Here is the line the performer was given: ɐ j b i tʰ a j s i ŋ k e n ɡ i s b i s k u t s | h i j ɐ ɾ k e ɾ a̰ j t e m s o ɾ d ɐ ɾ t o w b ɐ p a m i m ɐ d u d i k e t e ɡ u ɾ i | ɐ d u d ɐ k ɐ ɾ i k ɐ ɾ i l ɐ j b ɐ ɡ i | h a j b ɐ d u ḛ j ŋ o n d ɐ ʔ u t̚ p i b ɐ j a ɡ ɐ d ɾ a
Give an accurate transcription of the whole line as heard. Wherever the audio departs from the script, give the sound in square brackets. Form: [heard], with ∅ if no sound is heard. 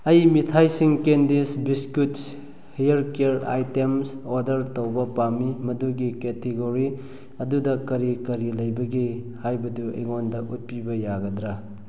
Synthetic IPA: ɐ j [m] i tʰ a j s i ŋ k e n [d] i s b i s k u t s | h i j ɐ ɾ k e ɾ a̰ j t e m s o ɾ d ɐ ɾ t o w b ɐ p a m i m ɐ d u [ɡ] i k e t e ɡ [o] ɾ i | ɐ d u d ɐ k ɐ ɾ i k ɐ ɾ i l ɐ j b ɐ ɡ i | h a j b ɐ d u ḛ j ŋ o n d ɐ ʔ u t̚ p i b ɐ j a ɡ ɐ d ɾ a